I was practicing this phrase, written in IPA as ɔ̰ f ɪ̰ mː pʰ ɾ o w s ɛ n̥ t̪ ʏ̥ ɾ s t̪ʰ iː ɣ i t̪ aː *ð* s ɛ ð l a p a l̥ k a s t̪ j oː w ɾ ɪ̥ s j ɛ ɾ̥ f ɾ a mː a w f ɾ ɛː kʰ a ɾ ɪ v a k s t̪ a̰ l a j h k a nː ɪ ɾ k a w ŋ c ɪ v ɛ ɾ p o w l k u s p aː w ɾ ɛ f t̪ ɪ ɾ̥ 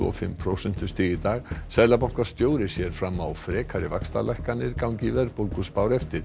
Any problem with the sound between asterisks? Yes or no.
yes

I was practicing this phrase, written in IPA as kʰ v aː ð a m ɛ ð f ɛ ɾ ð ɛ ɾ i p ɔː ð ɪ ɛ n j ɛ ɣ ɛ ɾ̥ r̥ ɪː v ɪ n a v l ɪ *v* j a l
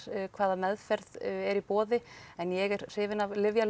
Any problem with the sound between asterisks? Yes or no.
no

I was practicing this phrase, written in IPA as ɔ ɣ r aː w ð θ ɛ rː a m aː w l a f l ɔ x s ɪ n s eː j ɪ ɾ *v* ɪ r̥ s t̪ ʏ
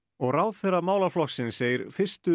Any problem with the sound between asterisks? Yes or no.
yes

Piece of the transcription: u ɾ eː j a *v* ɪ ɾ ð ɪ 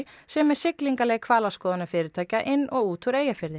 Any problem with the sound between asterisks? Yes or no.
yes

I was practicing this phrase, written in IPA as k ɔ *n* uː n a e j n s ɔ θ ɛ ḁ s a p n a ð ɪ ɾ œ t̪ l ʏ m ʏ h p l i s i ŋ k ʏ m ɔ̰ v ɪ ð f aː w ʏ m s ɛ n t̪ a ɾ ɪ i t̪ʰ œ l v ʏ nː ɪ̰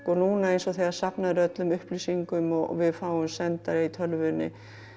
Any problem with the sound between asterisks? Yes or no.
no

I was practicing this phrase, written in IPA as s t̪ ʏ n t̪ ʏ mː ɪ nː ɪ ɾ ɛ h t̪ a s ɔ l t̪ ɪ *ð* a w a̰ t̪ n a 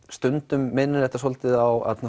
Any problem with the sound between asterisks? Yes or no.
no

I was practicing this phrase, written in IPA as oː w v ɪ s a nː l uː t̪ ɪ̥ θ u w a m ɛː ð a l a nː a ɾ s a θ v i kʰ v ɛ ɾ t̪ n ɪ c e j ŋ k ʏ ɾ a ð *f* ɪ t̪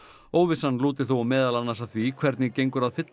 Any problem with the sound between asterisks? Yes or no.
no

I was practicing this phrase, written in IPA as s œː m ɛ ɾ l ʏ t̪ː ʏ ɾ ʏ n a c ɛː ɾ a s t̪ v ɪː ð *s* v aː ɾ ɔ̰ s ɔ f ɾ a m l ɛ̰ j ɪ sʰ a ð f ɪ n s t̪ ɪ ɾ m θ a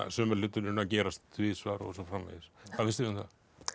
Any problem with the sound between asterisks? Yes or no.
no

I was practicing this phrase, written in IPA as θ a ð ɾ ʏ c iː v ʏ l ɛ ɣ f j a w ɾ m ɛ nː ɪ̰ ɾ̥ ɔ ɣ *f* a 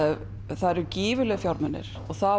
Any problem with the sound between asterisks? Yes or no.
yes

